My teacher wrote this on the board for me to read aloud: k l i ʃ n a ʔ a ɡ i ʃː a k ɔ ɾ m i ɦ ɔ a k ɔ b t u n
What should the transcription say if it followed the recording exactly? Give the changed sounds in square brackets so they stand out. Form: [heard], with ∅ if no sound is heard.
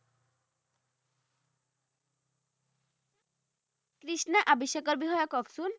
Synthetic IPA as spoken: k [ɾ] i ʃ n a ʔ a [b] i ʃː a k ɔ ɾ [b] i ɦ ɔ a k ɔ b [s] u n